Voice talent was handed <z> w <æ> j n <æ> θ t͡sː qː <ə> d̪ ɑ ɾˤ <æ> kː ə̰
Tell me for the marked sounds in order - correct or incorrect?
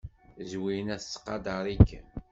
correct, incorrect: i, correct, incorrect: ɑ, incorrect: i

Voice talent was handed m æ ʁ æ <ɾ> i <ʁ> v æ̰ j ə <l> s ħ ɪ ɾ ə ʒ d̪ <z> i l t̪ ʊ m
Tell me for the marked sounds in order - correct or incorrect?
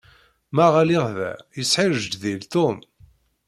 incorrect: l, correct, incorrect: none, incorrect: ð

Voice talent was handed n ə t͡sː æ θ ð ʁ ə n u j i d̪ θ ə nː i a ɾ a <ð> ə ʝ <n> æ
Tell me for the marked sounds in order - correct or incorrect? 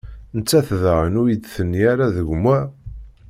correct, incorrect: m

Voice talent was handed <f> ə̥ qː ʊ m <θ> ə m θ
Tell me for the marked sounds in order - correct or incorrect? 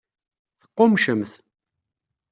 incorrect: θ, incorrect: ʃ

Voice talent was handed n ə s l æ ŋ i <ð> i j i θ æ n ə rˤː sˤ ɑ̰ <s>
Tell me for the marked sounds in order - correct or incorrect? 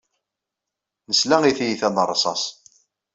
incorrect: θ, correct

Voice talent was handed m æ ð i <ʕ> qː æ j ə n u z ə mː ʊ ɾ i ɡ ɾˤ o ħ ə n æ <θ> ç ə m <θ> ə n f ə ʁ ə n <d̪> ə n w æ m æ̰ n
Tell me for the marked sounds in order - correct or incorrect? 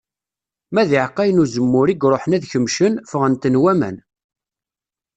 correct, incorrect: ð, incorrect: ʃ, incorrect: t̪

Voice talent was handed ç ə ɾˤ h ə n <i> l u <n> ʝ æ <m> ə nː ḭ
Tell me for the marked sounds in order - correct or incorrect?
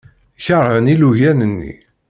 correct, incorrect: none, incorrect: n

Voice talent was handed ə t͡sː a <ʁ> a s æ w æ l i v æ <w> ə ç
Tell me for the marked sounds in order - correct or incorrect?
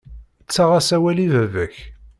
correct, incorrect: v

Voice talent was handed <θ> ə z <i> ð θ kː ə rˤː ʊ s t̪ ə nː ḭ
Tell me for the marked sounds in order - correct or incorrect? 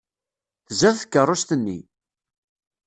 correct, incorrect: æ

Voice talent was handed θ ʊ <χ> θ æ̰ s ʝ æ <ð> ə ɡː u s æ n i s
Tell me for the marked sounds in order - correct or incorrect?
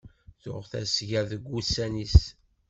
incorrect: ʁ, correct

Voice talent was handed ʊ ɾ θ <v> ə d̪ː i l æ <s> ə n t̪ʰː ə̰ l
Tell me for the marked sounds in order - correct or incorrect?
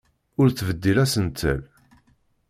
correct, correct

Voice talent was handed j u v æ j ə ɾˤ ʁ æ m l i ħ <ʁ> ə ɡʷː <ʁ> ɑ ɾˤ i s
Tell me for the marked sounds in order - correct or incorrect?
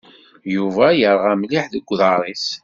incorrect: ð, incorrect: ð

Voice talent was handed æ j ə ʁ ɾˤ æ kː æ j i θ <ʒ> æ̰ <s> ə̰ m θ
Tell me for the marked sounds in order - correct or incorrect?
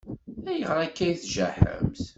correct, incorrect: ħ

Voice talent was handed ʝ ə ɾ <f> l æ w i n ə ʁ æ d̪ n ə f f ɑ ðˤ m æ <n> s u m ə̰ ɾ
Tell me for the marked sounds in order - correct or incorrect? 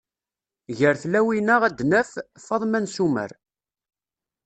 incorrect: θ, correct

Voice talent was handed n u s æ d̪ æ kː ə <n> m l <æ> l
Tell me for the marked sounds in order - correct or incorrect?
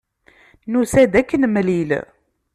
correct, incorrect: i

